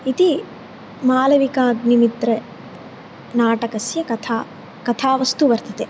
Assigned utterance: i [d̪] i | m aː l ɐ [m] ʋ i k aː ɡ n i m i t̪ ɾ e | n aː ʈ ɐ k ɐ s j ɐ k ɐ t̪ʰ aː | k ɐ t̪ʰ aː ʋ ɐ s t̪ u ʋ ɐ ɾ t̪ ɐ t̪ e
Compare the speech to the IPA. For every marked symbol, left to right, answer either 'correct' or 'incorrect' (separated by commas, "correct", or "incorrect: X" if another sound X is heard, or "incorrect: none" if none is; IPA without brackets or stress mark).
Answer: incorrect: t̪, incorrect: none